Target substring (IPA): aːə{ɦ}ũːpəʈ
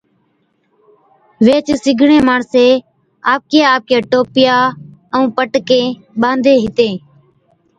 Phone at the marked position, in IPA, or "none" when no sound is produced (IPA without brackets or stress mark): none